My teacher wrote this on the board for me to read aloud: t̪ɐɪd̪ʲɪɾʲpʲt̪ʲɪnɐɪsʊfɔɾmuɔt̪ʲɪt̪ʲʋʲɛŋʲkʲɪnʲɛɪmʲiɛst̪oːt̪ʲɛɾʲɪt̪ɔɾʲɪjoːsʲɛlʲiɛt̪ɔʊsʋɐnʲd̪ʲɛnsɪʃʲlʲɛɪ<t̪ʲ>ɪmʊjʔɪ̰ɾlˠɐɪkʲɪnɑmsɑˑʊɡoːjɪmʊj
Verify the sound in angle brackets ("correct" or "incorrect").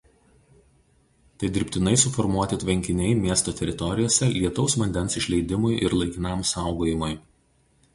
incorrect